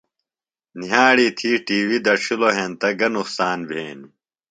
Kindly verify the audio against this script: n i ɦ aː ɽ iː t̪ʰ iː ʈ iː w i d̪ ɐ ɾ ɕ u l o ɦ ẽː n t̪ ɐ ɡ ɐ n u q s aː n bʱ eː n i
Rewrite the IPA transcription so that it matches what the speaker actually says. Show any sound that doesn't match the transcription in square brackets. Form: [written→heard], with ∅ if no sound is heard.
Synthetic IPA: n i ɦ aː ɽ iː t̪ʰ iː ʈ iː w i d̪ ɐ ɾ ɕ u l o ɦ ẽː n t̪ ɐ ɡ ɐ n u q s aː n bʱ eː n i